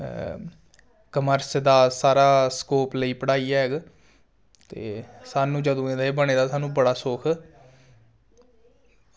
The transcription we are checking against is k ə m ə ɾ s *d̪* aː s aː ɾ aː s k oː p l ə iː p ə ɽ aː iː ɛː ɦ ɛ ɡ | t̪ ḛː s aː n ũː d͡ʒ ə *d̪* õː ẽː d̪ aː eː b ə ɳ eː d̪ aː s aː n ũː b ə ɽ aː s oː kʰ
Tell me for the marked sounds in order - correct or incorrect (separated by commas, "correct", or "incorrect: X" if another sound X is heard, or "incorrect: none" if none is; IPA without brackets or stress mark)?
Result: correct, correct